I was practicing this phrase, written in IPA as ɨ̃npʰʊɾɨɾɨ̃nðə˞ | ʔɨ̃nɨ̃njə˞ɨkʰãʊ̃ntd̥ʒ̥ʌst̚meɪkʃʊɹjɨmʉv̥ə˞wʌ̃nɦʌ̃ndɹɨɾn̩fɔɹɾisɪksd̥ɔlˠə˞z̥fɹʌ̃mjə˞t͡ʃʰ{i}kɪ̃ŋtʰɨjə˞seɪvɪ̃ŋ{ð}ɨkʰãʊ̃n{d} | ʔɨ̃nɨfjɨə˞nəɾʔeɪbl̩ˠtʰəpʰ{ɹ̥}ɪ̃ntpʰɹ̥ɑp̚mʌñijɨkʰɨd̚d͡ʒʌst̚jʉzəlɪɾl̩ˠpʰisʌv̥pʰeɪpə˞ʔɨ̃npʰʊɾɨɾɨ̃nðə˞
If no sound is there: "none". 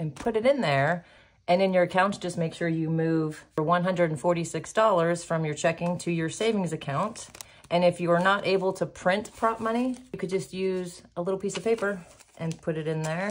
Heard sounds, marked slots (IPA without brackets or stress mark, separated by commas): ɛ, z, t, ɹ̥